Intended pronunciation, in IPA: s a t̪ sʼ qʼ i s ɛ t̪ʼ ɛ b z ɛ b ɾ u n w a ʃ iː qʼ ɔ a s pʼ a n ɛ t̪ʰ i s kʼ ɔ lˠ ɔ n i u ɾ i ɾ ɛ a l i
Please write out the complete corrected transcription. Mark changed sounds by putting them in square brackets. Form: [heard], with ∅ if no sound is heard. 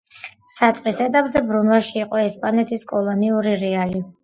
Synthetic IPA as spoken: s a t̪ sʼ qʼ i s ɛ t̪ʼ [a] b z ɛ b ɾ u n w a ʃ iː qʼ ɔ [ɛ] s pʼ a n ɛ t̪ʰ i s kʼ ɔ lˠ ɔ n i u ɾ i ɾ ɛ a l i